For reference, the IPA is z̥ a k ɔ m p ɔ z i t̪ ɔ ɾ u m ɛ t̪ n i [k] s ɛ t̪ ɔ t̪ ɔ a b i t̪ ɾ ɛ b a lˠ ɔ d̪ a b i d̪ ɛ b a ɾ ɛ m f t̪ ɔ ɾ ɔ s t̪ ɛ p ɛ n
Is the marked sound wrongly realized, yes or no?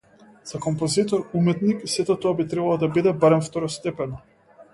no